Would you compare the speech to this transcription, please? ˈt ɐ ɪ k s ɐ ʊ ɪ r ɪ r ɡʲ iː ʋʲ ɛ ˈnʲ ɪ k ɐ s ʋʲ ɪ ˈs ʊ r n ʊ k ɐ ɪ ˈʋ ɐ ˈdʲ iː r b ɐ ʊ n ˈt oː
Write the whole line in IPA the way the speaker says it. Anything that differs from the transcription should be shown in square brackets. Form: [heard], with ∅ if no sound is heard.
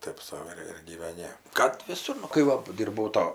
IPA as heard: ˈt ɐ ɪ [p] s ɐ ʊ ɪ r ɪ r ɡʲ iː ʋʲ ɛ ˈnʲ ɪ k ɐ [t] ʋʲ ɪ ˈs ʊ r n ʊ k ɐ ɪ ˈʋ ɐ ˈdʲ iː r b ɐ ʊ [∅] ˈt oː